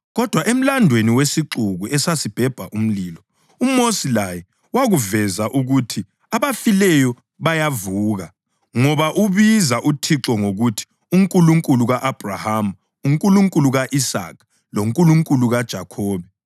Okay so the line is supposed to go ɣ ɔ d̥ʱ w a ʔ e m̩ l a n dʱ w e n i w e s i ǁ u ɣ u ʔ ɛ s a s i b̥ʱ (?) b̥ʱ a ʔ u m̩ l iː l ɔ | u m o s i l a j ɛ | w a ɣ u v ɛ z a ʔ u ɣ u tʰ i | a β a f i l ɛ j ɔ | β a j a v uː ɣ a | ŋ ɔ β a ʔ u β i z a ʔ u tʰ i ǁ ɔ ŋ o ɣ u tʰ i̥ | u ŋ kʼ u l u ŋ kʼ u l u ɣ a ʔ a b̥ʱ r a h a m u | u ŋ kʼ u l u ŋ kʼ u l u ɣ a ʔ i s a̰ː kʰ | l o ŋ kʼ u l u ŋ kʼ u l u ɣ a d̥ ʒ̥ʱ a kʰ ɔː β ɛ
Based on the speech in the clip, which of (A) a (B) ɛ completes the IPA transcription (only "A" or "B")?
B